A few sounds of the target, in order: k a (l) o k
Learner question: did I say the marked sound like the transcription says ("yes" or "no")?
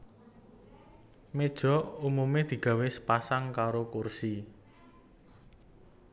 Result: no